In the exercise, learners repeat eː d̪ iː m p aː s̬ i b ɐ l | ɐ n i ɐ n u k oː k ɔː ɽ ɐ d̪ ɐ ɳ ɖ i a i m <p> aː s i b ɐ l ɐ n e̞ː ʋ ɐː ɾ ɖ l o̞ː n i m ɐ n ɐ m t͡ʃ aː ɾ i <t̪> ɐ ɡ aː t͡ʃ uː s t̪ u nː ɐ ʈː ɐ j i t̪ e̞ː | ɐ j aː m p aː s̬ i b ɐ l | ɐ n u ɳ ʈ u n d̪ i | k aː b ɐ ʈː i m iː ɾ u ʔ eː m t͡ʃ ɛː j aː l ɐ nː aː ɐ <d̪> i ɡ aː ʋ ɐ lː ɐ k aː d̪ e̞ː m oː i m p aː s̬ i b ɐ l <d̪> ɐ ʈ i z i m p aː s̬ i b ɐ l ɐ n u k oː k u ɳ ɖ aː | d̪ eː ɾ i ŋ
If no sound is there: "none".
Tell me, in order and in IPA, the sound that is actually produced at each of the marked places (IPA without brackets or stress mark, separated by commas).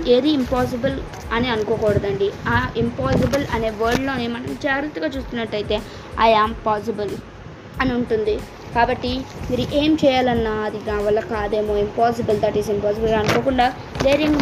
p, t̪, d̪, d̪